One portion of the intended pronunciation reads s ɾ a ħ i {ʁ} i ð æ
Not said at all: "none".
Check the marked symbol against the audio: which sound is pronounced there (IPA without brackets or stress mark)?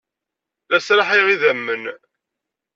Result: ʁ